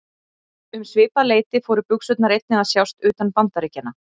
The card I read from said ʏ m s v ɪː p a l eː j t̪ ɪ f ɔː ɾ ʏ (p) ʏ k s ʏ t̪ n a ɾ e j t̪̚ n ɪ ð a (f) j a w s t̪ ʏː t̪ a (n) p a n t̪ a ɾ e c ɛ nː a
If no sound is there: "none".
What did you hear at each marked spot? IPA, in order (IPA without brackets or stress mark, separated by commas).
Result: p, s, n